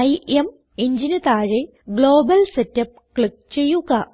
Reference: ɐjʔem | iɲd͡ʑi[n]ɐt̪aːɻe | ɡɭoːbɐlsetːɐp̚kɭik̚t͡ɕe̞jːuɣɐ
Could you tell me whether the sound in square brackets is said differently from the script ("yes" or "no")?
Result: no